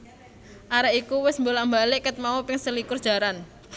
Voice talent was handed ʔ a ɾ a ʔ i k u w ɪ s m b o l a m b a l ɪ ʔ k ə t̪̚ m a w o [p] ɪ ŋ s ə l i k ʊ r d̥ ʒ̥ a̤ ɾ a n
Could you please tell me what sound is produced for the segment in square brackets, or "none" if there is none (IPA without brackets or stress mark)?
p